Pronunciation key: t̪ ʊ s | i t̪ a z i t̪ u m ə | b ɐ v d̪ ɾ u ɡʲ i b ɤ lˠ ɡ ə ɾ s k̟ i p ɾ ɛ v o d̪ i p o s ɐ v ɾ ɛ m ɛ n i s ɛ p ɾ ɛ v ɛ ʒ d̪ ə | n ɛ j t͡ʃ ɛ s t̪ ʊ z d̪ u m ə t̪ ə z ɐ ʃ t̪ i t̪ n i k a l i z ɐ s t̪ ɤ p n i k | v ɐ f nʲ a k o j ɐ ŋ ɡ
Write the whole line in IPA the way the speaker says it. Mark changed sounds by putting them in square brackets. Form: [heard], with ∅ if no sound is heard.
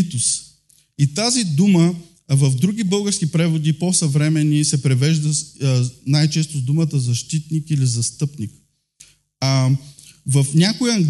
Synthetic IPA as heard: t̪ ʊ s | i t̪ a z i [d̪] u m ə | [v] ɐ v d̪ ɾ u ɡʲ i b ɤ lˠ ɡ ə ɾ s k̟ i p ɾ ɛ v o d̪ i p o s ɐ v ɾ ɛ m ɛ n i s ɛ p ɾ ɛ v ɛ ʒ d̪ ə | n [a] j t͡ʃ ɛ s t̪ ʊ z d̪ u m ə t̪ ə z ɐ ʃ t̪ i t̪ n i k [i] l i z ɐ s t̪ ɤ p n i k | v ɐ f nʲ a k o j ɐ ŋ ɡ